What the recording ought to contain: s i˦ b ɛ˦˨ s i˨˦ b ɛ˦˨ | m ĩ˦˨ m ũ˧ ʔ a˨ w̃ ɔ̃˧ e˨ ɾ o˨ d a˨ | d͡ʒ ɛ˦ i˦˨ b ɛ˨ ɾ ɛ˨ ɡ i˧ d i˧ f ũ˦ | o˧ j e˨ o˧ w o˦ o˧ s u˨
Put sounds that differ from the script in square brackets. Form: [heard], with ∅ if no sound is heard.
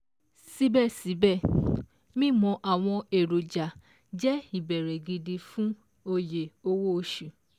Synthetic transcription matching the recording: s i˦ b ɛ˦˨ s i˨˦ b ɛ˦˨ | m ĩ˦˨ m [ɔ̃˧] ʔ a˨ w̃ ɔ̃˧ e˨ ɾ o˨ [d͡ʒ] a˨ | d͡ʒ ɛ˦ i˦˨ b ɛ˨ ɾ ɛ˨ ɡ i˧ d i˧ f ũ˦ | o˧ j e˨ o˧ w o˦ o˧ [ʃ] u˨